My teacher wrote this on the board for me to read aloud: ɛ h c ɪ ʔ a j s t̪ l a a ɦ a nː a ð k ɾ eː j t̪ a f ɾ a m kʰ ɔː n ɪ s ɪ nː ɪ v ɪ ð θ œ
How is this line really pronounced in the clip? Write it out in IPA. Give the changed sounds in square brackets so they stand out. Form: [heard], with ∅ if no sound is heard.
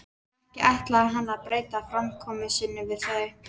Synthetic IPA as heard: ɛ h c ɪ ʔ a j [h] t̪ l a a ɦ a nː a ð [p] ɾ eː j t̪ a f ɾ a m kʰ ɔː [m] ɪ s ɪ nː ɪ v ɪ ð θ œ

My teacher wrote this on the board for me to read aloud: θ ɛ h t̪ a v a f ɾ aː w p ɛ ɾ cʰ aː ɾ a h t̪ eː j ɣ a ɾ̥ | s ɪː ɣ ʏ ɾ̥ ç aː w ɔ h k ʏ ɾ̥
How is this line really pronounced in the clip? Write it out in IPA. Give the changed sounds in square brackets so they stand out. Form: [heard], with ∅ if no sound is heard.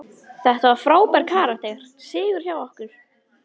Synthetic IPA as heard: θ ɛ h t̪ a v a f ɾ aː w p ɛ ɾ [kʰ] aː ɾ a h t̪ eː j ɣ a ɾ̥ | s ɪː ɣ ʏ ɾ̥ ç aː w ɔ h k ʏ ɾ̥

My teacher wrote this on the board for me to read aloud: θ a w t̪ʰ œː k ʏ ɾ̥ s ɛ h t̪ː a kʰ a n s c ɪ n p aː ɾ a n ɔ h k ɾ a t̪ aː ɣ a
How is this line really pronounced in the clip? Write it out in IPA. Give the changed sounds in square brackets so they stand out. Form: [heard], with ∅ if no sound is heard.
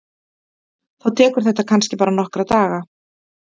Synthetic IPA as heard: θ a w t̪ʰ [ɛː] k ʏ ɾ̥ [θ] ɛ h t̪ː a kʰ a n s c ɪ [∅] p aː ɾ a n ɔ h k ɾ a t̪ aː ɣ a

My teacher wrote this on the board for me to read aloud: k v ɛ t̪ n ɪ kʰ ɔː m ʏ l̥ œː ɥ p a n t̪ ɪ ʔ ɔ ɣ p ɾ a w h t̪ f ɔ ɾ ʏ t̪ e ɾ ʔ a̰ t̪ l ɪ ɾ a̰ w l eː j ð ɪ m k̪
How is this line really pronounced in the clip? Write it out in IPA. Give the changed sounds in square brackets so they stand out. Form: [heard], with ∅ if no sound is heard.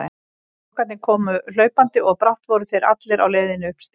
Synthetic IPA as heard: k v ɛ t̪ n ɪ kʰ ɔː m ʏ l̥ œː ɥ p a n t̪ ɪ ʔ ɔ ɣ p ɾ a w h t̪ [v] ɔ ɾ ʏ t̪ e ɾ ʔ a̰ t̪ l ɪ ɾ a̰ w l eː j ð ɪ [n] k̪

